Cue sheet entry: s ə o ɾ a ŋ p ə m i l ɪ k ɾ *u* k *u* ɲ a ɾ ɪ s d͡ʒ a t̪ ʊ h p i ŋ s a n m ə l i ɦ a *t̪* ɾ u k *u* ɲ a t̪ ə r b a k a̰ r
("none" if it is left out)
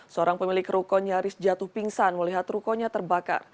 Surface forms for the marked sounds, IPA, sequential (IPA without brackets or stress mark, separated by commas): u, ɔ, t̪, ɔ